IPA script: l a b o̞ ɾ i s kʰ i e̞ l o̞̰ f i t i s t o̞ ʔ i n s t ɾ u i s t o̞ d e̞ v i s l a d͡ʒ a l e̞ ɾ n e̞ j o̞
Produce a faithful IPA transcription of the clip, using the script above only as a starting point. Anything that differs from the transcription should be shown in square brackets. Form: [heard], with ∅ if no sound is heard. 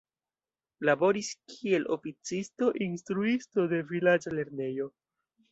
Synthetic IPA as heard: l a b o̞ ɾ i s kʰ i e̞ l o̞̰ f i [t͡s] i s t o̞ ʔ i n s t ɾ u i s t o̞ d e̞ v i [∅] l a d͡ʒ a l e̞ ɾ n e̞ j o̞

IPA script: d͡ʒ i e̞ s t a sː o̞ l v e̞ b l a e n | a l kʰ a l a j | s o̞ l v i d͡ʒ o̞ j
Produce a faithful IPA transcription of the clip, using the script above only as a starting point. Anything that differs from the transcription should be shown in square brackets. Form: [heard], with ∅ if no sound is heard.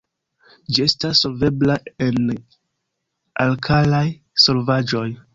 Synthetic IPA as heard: d͡ʒ i e̞ s t a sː o̞ l v e̞ b l a e n | a l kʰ a l a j | s o̞ l v [a] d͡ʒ o̞ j

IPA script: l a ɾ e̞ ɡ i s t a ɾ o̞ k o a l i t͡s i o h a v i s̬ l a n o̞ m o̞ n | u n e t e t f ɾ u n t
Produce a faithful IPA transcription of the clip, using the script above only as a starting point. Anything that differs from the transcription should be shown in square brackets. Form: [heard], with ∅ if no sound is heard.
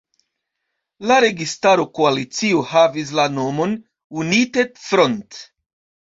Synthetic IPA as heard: l a ɾ e̞ ɡ i s t a ɾ o̞ k o a l i t͡s i o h a v i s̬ l a n o̞ m o̞ n | u n [i] t e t f ɾ [o] n t

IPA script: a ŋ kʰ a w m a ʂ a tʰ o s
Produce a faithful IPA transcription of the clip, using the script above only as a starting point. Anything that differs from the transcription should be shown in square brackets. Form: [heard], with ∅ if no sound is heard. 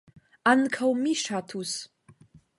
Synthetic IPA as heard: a [n] kʰ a w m [i] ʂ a tʰ [u] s

